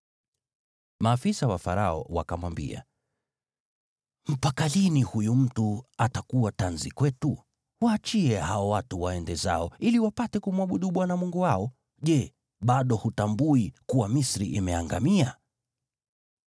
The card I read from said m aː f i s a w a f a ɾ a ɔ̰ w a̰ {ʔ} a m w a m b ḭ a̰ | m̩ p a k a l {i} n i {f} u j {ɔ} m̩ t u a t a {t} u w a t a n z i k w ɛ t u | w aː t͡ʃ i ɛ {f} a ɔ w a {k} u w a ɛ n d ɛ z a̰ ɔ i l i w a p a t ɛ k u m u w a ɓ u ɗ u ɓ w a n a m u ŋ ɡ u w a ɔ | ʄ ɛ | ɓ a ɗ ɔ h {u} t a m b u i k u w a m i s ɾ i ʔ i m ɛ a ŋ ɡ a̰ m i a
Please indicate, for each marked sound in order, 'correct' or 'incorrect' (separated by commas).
incorrect, correct, incorrect, incorrect, incorrect, incorrect, incorrect, correct